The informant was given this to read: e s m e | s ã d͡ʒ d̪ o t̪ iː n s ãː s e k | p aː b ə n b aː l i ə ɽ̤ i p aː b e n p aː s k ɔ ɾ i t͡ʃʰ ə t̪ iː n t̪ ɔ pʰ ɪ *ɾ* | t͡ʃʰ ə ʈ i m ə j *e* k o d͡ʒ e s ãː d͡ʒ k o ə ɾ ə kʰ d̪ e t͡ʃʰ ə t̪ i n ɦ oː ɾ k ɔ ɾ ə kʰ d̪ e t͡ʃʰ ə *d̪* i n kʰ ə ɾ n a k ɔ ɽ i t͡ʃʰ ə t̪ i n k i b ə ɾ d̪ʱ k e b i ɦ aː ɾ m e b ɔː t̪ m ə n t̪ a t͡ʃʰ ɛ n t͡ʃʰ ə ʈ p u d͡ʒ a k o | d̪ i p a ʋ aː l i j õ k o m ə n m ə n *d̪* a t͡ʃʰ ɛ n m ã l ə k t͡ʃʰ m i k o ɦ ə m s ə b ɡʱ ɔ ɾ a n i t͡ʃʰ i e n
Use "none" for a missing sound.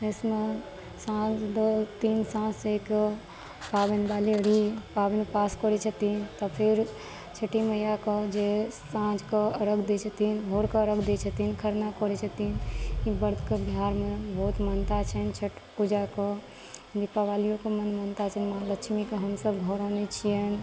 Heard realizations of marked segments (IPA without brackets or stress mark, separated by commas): ɾ, a, t̪, t̪